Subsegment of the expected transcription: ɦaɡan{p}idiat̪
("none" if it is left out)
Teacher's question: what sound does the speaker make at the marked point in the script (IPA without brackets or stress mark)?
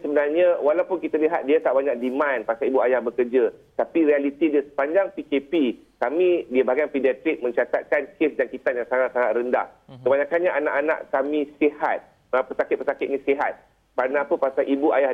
p